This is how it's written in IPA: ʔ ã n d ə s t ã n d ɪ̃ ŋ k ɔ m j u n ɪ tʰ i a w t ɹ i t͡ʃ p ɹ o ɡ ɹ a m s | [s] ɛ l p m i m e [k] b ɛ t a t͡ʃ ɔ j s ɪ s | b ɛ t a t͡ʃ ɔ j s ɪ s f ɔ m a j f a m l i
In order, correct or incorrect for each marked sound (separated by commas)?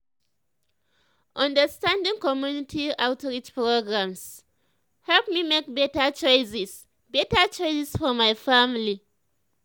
incorrect, correct